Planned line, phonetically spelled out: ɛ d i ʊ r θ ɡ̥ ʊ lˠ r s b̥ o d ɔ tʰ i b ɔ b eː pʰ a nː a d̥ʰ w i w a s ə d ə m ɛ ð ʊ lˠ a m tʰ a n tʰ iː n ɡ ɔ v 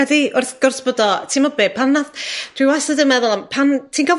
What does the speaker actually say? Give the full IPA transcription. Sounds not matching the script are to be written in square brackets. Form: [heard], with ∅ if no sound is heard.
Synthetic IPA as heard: ɛ d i ʊ r θ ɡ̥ ʊ [∅] r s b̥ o d ɔ tʰ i [m] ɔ b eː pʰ a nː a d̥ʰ w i w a s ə d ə m ɛ ð ʊ lˠ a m [pʰ] a n tʰ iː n ɡ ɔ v

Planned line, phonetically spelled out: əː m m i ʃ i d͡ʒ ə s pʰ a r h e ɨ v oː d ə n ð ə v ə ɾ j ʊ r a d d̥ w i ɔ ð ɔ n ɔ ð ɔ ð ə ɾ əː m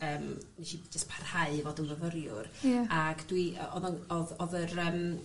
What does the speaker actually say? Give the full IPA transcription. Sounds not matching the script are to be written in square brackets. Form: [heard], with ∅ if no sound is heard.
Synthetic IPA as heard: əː m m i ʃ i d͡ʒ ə s pʰ a r h [a] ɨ v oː d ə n [v] ə v ə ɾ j ʊ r a [ɡ] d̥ w i ɔ ð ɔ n ɔ ð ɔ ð ə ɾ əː m

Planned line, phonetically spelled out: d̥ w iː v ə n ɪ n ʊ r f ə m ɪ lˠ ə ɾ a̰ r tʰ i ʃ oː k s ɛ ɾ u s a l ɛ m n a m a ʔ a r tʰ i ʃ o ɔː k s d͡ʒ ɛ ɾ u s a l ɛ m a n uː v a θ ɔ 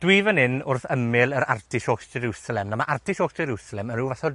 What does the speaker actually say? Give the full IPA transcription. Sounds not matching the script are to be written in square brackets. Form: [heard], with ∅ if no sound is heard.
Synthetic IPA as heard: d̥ w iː v ə n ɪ n ʊ r [θ] ə m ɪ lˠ ə ɾ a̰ r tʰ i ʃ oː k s ɛ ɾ u s a l ɛ m n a m a ʔ a r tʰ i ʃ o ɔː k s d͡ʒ ɛ ɾ u s a l ɛ m [ə] n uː v a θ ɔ

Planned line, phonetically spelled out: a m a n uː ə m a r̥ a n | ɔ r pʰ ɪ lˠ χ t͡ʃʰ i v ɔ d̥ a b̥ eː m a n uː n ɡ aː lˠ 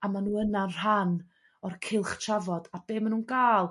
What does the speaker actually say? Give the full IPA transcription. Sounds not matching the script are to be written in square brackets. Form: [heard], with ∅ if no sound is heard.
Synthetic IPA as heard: a m a n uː ə [n] a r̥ a n | ɔ r [kʰ] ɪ lˠ χ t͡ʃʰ [a] v ɔ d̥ a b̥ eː m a n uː n ɡ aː lˠ

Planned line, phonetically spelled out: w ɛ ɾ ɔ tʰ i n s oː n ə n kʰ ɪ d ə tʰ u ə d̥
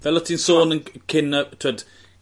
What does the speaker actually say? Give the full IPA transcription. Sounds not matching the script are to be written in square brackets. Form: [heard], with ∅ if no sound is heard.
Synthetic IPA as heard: [v] ɛ [l] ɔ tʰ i n s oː n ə n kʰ ɪ [n] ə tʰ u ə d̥

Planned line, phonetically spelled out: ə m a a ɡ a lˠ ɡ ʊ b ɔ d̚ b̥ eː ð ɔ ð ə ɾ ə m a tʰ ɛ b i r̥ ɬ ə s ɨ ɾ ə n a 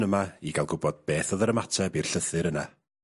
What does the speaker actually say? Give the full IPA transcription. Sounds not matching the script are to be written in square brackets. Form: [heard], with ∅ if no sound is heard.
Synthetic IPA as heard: ə m a [i] ɡ a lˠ ɡ ʊ b ɔ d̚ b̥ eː [θ] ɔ ð ə ɾ ə m a tʰ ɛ b i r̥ ɬ ə [θ] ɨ ɾ ə n a

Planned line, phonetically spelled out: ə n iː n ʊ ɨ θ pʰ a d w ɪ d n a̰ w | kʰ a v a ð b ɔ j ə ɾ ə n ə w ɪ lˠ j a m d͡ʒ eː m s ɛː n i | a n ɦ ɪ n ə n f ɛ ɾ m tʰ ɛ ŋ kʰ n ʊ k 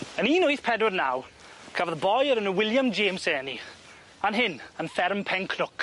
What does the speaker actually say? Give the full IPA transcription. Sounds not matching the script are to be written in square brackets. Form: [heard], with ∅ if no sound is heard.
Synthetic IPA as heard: ə n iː n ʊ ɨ θ pʰ [ɛ] d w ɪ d n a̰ w | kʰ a v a ð b ɔ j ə ɾ ə n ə w ɪ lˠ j a m d͡ʒ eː m s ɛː n i | a n ɦ ɪ n ə n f ɛ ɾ m [pʰ] ɛ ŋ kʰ n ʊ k

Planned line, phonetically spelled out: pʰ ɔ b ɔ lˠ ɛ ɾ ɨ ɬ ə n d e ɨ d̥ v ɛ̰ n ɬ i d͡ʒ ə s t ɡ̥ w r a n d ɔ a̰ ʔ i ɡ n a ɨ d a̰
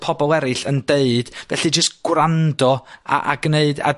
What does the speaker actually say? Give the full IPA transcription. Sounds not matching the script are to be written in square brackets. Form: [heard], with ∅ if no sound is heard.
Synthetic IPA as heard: pʰ ɔ b ɔ lˠ ɛ ɾ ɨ ɬ ə n d e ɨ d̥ v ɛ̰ [∅] ɬ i d͡ʒ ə s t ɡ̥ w r a n d ɔ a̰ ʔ [a] ɡ n [e] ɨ d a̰

